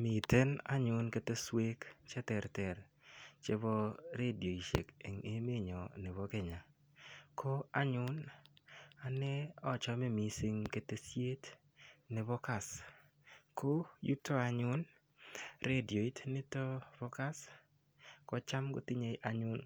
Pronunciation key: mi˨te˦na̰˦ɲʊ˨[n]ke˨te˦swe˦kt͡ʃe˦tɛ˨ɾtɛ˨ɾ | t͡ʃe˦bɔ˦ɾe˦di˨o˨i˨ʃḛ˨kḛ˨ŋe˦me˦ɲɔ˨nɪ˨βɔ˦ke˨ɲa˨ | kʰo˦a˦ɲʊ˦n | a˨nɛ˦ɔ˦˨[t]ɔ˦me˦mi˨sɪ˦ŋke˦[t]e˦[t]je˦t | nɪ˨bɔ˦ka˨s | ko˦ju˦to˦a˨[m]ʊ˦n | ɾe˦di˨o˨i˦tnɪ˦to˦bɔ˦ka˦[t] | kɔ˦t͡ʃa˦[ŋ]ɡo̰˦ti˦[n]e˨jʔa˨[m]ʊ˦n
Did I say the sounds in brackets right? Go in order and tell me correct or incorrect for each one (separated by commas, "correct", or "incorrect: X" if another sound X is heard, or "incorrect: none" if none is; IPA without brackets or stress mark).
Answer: correct, incorrect: t͡ʃ, correct, incorrect: s, incorrect: ɲ, incorrect: s, incorrect: m, incorrect: ɲ, incorrect: ɲ